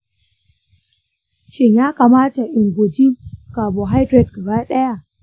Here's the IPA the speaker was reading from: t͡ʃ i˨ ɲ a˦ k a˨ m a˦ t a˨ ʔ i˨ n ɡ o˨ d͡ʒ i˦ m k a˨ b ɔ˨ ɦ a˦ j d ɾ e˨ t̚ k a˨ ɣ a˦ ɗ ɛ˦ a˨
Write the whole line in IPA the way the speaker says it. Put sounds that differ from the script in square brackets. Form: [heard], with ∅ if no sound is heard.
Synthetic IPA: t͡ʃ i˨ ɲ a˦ k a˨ m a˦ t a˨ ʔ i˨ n ɡ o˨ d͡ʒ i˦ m k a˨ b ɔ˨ ɦ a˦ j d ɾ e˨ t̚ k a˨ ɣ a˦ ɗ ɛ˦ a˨